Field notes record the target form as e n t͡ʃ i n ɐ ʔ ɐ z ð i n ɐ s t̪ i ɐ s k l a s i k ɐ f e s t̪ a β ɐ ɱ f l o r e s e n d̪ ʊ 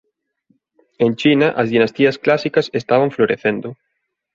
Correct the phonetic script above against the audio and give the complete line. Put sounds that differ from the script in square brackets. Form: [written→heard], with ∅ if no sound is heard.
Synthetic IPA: e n t͡ʃ i n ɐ ʔ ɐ z ð i n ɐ s t̪ i ɐ s k l a s i k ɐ [f→s] e s t̪ a β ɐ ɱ f l o [r→ɾ] e [s→θ] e n d̪ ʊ